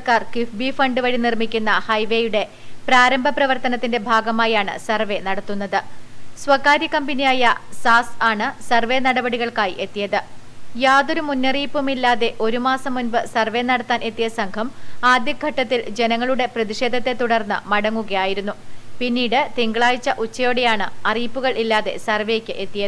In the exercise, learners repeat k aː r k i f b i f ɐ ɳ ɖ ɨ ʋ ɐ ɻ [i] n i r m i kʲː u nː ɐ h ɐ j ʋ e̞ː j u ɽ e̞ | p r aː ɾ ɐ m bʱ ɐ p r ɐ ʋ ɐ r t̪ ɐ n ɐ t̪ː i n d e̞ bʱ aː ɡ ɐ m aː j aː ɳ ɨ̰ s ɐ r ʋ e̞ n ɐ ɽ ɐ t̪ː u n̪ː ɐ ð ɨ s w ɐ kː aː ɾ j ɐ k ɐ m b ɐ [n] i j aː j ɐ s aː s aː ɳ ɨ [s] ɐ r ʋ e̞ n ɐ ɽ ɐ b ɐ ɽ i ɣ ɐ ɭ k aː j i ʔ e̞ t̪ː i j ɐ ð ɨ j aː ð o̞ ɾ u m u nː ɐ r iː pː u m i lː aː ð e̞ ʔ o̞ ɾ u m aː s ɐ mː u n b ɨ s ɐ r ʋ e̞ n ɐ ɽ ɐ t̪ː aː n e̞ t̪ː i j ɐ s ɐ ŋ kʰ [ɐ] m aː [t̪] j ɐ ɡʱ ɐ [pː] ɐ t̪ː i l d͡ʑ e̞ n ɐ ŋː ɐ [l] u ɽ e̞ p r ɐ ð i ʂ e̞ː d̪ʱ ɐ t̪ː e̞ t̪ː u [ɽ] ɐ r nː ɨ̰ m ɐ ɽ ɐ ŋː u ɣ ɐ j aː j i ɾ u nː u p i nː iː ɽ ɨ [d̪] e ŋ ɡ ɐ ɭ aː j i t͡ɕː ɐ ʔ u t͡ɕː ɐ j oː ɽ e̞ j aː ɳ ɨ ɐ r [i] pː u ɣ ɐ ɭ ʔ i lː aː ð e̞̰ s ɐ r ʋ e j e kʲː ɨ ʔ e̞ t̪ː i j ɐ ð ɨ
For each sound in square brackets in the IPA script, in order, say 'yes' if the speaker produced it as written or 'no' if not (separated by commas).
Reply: yes, yes, yes, yes, no, no, no, yes, no, no